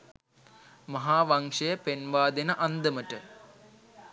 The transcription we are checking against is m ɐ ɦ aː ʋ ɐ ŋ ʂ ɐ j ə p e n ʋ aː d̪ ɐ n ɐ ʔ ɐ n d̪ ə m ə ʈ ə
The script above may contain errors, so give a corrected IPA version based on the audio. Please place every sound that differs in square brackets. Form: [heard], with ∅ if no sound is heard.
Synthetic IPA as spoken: m ɐ ɦ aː ʋ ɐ ŋ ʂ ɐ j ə p e n ʋ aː d̪ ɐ n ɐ ʔ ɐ n d̪ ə m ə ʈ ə